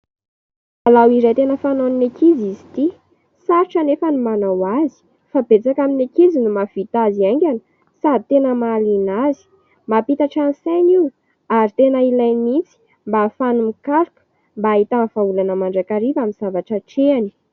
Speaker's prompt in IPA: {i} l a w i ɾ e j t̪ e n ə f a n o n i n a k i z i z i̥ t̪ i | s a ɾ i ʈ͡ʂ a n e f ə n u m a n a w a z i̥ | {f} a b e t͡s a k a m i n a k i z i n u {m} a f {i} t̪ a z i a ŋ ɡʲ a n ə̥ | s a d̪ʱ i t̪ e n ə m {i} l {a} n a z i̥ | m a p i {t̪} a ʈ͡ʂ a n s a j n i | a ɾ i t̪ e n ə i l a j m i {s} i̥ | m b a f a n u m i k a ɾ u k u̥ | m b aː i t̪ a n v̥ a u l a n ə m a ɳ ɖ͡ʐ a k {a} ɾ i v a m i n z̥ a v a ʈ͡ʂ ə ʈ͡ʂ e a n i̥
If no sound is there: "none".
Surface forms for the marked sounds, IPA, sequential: a, f, m, i, a, i, t̪, t͡s, a

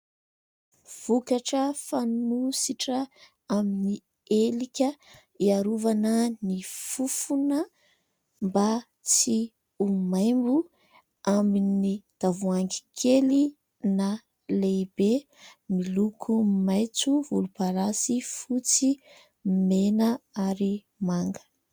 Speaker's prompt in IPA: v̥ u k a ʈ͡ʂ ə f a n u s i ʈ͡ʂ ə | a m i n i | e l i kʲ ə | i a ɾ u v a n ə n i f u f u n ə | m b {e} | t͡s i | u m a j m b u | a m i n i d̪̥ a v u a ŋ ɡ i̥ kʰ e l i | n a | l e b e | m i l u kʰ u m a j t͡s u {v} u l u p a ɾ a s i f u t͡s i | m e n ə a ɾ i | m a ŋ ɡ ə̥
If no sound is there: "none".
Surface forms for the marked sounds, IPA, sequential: a, v

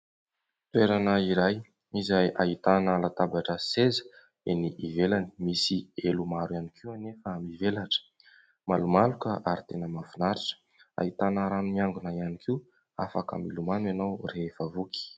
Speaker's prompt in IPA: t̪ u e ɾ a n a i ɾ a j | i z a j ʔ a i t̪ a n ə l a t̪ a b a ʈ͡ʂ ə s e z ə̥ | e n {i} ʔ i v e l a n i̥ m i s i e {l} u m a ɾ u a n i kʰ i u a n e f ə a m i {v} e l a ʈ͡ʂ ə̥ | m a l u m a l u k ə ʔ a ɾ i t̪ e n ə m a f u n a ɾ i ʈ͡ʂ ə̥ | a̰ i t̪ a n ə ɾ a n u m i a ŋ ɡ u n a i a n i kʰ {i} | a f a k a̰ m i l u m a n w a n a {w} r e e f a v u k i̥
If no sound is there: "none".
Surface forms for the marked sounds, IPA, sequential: i, l, v, i, w

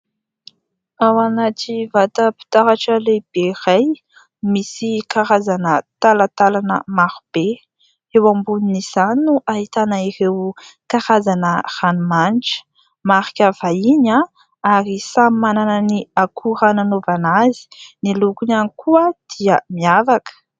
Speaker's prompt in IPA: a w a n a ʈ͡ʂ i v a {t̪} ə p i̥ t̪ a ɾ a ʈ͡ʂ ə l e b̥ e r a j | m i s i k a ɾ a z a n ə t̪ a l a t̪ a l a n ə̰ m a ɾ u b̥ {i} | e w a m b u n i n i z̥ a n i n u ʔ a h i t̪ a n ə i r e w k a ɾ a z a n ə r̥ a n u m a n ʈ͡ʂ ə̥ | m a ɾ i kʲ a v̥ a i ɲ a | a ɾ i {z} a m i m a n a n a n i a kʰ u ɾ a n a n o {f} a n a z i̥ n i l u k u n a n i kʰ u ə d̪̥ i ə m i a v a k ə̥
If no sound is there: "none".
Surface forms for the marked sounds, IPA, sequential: t̪, e, s, v

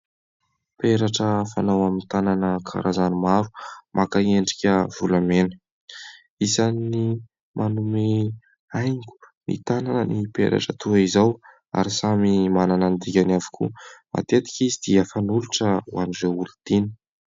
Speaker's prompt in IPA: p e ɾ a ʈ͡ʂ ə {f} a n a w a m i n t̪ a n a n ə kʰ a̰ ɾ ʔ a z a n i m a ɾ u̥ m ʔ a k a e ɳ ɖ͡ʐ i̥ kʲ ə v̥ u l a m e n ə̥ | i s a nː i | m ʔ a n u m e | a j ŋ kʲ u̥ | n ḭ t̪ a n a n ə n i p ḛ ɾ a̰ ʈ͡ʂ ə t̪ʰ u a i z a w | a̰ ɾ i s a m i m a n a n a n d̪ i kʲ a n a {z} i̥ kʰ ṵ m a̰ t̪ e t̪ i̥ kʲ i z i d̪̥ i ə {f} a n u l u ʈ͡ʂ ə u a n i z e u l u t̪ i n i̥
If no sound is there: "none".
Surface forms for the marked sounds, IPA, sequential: f, v, f

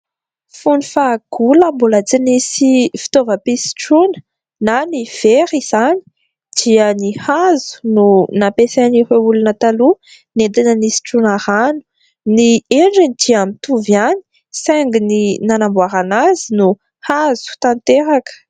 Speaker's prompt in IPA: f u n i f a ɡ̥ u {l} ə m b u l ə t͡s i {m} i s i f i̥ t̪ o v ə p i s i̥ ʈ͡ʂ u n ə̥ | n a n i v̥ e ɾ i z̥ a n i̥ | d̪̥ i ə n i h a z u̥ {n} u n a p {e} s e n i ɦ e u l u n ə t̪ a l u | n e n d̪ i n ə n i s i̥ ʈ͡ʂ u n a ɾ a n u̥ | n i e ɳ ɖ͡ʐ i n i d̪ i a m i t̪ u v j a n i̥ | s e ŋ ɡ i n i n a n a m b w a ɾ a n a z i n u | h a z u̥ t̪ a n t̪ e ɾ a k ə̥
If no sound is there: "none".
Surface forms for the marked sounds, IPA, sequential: l, n, n, e

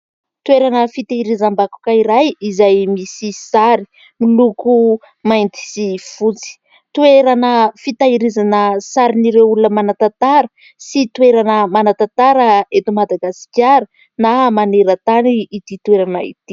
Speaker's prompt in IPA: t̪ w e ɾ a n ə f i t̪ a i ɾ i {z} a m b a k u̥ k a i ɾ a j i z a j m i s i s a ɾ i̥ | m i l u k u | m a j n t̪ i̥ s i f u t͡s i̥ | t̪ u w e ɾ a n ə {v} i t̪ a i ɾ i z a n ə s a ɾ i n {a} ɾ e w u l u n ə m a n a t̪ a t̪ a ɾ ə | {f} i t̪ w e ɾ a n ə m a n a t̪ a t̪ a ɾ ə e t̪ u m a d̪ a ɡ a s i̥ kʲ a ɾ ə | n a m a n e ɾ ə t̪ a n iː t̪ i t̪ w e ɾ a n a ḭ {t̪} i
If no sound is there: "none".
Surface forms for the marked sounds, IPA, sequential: z, f, i, s, t̪

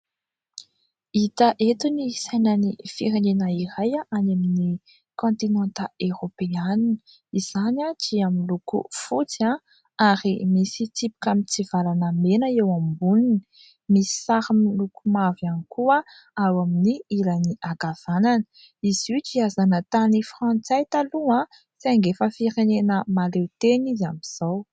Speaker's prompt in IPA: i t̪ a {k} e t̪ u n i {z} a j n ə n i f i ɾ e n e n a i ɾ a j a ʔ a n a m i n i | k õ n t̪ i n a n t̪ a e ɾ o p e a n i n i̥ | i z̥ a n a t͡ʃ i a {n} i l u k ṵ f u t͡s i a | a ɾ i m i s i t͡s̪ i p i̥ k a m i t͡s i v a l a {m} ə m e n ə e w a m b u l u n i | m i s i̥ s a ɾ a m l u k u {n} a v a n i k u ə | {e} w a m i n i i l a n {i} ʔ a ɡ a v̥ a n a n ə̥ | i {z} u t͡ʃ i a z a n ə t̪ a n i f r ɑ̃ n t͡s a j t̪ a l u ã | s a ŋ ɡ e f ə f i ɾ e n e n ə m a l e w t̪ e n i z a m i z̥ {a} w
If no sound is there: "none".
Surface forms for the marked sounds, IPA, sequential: ʔ, s, m, n, m, a, i, z, a

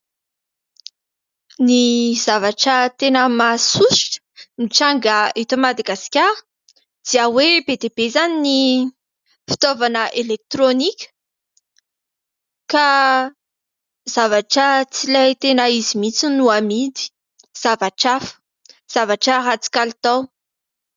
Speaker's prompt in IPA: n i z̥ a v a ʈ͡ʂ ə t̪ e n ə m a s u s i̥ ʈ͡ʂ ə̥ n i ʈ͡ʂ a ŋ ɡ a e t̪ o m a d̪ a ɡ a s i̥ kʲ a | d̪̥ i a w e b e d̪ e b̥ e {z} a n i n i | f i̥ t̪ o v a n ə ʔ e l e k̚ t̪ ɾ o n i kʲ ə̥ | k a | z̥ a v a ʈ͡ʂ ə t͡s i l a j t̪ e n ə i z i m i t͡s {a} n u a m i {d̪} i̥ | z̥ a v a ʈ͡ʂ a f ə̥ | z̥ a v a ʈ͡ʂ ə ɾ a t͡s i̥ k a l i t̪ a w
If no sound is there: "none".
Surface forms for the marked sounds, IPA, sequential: z, i, d̪

